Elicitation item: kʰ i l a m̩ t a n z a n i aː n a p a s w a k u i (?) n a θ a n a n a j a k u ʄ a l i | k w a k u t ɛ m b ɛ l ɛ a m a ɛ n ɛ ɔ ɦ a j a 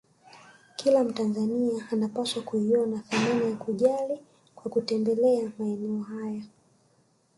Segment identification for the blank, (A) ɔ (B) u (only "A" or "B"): A